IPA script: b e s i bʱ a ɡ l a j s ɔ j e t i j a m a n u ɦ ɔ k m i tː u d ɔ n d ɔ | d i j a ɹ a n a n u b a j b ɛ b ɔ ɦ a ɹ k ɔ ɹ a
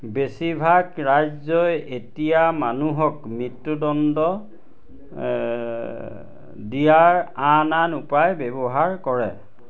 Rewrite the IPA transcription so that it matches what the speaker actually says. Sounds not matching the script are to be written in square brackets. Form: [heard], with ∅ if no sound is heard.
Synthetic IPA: b e s i bʱ a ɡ [ɹ] a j [z] ɔ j e t i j a m a n u ɦ ɔ k m i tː u d ɔ n d ɔ | d i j a ɹ a n a n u [p] a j b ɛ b ɔ ɦ a ɹ k ɔ ɹ [ɛ]

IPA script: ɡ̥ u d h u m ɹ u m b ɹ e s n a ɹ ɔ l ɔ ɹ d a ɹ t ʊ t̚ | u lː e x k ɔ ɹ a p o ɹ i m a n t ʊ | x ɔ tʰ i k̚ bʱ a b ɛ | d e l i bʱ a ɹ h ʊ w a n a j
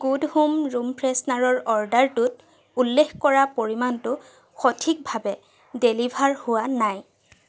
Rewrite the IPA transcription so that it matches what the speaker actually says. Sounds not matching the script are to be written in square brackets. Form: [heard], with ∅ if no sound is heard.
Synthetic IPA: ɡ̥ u d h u m ɹ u m [p] ɹ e s n a ɹ ɔ [ɹ] ɔ ɹ d a ɹ t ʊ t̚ | u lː e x k ɔ ɹ a p o ɹ i m a n t ʊ | x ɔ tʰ i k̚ bʱ a b ɛ | d e l i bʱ a ɹ h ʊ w a n a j

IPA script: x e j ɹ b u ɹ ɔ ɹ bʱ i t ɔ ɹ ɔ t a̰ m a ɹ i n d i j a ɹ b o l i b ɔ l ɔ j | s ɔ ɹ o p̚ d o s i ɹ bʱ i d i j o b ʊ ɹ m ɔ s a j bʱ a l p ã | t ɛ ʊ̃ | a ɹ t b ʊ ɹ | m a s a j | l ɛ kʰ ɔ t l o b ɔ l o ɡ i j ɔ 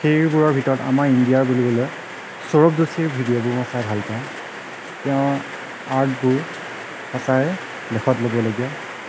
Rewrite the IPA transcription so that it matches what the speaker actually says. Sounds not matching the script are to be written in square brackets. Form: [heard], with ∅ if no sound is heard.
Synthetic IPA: x e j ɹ b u ɹ ɔ ɹ bʱ i t ɔ ɹ ɔ t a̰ m a ɹ i n d i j a ɹ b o l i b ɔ l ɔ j | s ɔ ɹ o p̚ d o s i ɹ bʱ i d i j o b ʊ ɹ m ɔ s a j bʱ a l p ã | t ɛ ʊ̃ | a ɹ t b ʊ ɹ | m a s a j | l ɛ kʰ ɔ t l o b ɔ l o ɡ i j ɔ

